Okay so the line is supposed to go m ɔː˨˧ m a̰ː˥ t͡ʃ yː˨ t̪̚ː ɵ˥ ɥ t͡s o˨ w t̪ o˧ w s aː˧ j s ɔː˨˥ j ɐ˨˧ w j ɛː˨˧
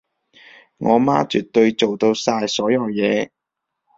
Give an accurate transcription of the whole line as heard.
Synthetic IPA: ŋ ɔː˨˧ m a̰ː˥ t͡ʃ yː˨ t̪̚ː ɵ˧ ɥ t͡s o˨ w t̪ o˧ w s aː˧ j s ɔː˨˥ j ɐ˨˧ w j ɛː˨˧